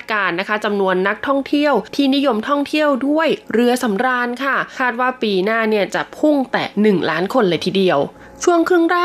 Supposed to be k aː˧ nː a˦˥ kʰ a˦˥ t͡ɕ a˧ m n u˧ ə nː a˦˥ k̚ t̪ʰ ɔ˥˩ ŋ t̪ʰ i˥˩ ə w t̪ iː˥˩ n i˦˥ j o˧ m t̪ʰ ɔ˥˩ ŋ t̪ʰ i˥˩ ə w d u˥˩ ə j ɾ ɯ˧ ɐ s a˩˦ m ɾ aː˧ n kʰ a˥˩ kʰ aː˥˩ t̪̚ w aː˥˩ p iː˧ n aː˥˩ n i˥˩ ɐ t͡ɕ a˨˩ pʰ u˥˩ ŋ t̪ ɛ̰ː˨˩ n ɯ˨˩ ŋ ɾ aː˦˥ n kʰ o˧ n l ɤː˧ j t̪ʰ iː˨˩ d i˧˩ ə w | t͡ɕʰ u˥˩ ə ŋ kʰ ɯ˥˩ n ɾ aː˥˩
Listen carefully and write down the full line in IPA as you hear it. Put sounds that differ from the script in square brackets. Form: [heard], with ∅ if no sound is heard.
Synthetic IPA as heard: k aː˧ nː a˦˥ kʰ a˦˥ t͡ɕ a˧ m n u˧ ə nː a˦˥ k̚ t̪ʰ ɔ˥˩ ŋ t̪ʰ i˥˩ ə w [t̪ʰ] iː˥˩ n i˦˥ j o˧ m t̪ʰ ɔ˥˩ ŋ t̪ʰ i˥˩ ə w d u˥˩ ə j ɾ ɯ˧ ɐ s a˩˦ m ɾ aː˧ n kʰ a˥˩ kʰ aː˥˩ t̪̚ w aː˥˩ p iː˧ n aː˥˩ n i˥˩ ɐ t͡ɕ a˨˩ pʰ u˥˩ ŋ t̪ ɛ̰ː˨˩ n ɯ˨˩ ŋ [l] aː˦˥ n kʰ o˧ n l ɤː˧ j t̪ʰ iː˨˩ d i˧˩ ə w | t͡ɕʰ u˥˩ ə ŋ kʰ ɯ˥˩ [ŋ] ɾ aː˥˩